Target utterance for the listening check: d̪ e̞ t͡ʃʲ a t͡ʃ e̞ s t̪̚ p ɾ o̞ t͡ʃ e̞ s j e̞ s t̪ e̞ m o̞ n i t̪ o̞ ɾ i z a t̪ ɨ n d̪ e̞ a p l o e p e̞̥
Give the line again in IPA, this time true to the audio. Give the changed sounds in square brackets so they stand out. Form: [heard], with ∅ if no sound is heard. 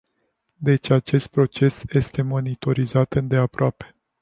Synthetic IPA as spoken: d̪ e̞ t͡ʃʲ a t͡ʃ e̞ s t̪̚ p ɾ o̞ t͡ʃ e̞ s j e̞ s t̪ e̞ m o̞ n i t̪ o̞ ɾ i z a t̪ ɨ n d̪ e̞ a p [ɾ] o [a] p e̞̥